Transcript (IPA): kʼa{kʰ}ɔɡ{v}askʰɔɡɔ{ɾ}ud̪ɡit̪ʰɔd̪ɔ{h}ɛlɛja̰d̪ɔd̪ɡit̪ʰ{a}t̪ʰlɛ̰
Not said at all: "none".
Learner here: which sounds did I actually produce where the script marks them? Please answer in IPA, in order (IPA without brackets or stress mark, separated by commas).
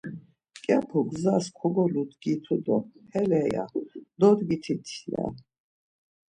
pʰ, z, l, h, i